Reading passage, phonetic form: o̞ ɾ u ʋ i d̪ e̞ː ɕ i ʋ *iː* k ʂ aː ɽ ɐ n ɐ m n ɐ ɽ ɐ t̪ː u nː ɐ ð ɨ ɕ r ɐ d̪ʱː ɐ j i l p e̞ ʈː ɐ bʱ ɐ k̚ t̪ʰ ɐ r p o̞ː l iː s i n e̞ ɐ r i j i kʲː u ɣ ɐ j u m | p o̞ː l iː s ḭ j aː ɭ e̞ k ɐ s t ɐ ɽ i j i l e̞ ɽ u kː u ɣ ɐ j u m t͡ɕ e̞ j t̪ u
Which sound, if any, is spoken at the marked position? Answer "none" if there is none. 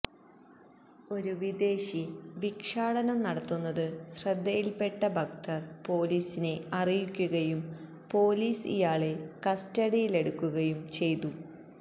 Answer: i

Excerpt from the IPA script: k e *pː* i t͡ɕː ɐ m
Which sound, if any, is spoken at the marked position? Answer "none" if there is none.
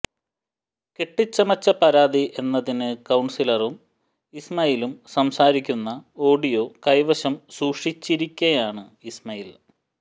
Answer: ʈː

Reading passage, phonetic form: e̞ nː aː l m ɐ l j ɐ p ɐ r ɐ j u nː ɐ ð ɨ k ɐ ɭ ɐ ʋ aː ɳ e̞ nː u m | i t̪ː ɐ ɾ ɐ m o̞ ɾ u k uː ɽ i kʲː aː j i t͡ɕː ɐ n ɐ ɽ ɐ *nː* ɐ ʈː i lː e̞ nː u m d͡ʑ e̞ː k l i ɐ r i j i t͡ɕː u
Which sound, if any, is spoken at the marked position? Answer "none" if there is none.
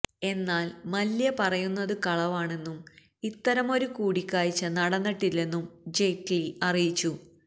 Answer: nː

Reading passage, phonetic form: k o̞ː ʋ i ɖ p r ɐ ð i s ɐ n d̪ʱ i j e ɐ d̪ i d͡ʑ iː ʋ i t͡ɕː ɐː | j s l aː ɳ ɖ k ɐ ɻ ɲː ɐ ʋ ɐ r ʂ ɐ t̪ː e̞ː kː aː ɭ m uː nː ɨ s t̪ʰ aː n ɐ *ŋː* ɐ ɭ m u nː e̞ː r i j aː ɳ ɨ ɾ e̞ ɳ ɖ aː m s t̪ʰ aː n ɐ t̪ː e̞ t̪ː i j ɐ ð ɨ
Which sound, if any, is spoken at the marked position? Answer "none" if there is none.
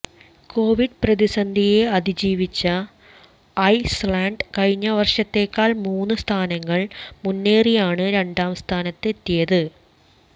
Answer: ŋː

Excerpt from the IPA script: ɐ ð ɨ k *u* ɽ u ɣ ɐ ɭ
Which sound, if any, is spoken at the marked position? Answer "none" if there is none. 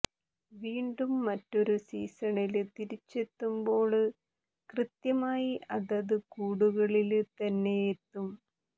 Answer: uː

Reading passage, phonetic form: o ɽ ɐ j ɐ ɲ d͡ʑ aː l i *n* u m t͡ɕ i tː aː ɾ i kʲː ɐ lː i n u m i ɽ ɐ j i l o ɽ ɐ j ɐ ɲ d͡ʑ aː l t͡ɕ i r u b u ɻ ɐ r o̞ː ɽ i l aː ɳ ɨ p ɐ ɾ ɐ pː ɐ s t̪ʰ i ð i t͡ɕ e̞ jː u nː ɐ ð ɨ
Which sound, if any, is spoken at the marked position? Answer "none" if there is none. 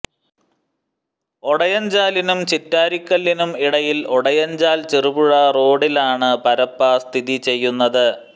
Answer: n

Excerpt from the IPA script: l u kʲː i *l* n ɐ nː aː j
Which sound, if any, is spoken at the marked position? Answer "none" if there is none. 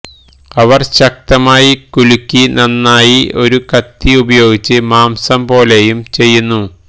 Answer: none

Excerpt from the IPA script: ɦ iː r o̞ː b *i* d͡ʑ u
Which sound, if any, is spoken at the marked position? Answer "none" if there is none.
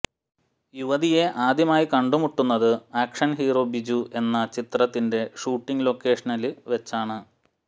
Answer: i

